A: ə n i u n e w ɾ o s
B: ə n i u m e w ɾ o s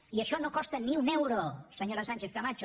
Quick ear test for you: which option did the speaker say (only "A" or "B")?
A